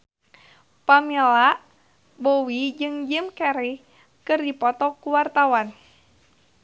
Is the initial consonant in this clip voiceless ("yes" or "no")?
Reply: yes